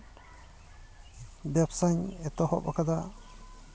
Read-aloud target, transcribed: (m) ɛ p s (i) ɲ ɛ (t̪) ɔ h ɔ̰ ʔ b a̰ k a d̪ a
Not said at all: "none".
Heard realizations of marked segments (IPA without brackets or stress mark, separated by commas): b, a, t̪